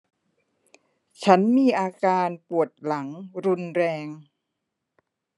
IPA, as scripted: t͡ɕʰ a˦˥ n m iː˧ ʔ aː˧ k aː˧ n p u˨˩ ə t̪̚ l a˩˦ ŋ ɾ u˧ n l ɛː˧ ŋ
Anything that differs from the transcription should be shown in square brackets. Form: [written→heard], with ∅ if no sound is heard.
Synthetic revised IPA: t͡ɕʰ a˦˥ n m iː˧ ʔ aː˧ k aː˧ n p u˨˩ ə t̪̚ l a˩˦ ŋ ɾ u˧ n [l→ɾ] ɛː˧ ŋ